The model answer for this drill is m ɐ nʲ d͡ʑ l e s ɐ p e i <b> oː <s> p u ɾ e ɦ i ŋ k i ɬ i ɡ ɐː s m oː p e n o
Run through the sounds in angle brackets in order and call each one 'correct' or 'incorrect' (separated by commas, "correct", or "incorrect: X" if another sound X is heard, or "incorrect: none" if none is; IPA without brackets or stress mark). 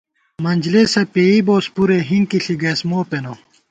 correct, correct